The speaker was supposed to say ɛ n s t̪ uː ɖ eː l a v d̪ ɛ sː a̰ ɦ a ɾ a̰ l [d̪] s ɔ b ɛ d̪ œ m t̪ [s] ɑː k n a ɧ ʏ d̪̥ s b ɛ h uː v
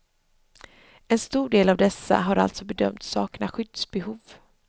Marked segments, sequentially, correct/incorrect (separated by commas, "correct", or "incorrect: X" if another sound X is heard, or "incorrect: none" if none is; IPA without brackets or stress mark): incorrect: t̪, correct